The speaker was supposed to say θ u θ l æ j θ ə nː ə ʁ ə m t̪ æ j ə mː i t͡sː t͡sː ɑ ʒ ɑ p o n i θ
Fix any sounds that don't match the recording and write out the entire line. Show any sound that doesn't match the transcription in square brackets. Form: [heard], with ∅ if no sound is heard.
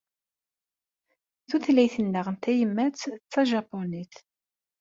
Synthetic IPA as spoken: θ u θ l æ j θ ə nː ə ʁ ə [n] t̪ æ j ə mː [æ] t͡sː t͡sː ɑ ʒ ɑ p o n i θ